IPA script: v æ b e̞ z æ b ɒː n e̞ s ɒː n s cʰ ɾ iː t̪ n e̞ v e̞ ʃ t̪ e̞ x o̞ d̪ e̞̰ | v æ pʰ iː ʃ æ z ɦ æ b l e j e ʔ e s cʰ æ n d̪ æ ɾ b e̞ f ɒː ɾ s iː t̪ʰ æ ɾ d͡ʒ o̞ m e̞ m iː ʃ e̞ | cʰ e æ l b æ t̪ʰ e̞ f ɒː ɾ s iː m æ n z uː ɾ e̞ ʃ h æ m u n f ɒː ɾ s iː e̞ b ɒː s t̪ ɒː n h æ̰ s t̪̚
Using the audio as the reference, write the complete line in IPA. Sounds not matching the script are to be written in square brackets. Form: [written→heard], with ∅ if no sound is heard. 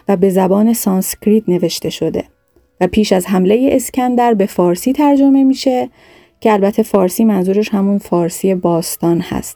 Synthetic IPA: v æ b e̞ z æ b ɒː n e̞ s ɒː n s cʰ ɾ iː t̪ n e̞ v e̞ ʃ t̪ e̞ [x→ʃ] o̞ d̪ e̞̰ | v æ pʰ iː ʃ æ z ɦ æ [b→m] l e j e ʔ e s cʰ æ n d̪ æ ɾ b e̞ f ɒː ɾ s iː t̪ʰ æ ɾ d͡ʒ o̞ m e̞ m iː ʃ e̞ | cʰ e æ l b æ t̪ʰ e̞ f ɒː ɾ s iː m æ n z uː ɾ e̞ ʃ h æ m u n f ɒː ɾ s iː e̞ b ɒː s t̪ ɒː n h æ̰ s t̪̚